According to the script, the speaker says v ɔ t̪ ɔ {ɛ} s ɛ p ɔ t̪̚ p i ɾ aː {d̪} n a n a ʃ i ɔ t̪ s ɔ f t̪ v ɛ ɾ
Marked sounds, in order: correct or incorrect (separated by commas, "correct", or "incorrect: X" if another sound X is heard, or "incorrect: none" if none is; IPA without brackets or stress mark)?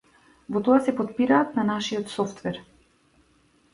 incorrect: a, incorrect: t̪